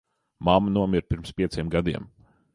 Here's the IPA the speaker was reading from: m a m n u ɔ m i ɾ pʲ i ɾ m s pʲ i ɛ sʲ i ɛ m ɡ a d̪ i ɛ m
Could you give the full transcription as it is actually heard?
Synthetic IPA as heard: m a m n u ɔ m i ɾ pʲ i ɾ m s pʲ i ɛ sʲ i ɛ m ɡ a d̪ i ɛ m